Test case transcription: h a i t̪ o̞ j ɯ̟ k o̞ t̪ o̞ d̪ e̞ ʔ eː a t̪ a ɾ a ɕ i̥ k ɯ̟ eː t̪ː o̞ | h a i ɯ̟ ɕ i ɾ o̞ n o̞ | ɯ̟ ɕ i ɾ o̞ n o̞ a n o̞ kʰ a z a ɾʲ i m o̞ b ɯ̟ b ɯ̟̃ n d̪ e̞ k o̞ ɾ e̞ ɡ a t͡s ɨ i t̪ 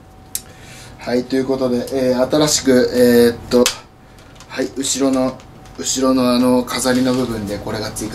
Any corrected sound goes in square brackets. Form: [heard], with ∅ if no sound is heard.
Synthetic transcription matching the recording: h a i t̪ o̞ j ɯ̟ k o̞ t̪ o̞ d̪ e̞ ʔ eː a t̪ a ɾ a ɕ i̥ k ɯ̟ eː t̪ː o̞ | h a i ɯ̟ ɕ i ɾ o̞ n o̞ | ɯ̟ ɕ i ɾ o̞ n o̞ a n o̞ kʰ a z a ɾʲ i [n] o̞ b ɯ̟ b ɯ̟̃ n d̪ e̞ k o̞ ɾ e̞ ɡ a t͡s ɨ i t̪